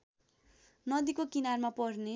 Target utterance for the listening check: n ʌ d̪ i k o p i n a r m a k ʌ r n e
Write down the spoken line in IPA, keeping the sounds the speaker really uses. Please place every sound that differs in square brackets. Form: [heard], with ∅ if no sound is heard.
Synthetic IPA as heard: n ʌ d̪ i k o [k] i n a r m a [p] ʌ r n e